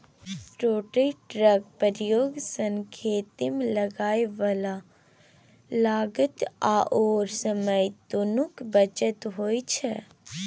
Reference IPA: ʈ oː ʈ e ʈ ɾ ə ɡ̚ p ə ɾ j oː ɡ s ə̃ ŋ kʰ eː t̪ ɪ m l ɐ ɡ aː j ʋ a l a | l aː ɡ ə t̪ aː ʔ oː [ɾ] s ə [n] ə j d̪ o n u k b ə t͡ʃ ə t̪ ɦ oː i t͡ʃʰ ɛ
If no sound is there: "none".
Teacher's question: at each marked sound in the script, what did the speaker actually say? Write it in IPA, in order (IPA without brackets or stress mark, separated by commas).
ɾ, m